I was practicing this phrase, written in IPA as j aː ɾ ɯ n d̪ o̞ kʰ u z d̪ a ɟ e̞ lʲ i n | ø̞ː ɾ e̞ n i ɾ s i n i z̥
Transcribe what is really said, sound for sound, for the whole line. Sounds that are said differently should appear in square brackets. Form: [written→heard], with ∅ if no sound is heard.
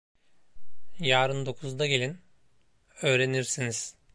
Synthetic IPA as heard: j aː ɾ ɯ n d̪ o̞ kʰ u z d̪ a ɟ e̞ lʲ i n | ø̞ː ɾ e̞ n i ɾ s i n i z̥